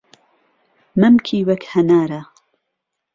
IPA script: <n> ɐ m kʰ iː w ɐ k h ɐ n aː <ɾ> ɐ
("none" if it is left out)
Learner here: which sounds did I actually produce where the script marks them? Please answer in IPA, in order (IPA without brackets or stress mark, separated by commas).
m, ɾ